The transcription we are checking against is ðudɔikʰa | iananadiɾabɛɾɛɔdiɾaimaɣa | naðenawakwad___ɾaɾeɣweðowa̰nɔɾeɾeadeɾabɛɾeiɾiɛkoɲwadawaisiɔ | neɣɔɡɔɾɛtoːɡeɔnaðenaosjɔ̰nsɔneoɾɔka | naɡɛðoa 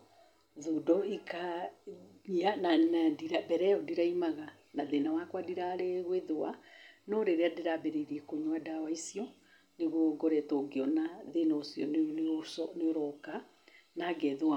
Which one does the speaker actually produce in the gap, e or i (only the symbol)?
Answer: i